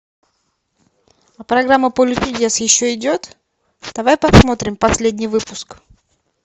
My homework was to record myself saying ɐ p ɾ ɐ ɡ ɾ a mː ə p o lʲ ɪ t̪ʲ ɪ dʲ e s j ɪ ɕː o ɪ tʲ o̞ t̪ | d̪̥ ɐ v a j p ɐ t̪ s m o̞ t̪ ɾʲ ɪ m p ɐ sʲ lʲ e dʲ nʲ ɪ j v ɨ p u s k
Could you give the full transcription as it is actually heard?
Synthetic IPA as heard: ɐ p ɾ ɐ ɡ ɾ a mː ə p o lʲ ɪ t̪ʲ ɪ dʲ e s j ɪ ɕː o ɪ dʲ o̞ t̪ | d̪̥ ɐ v a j p ɐ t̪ s m o̞ t̪ ɾʲ ɪ m p ɐ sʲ lʲ e dʲ nʲ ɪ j v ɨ p ʊ s k